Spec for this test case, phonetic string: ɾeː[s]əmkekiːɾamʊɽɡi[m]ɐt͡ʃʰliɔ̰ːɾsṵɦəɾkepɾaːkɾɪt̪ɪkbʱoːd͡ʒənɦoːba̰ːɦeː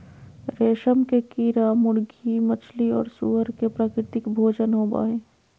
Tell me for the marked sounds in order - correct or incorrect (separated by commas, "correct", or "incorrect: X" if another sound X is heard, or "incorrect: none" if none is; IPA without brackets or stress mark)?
incorrect: ʃ, correct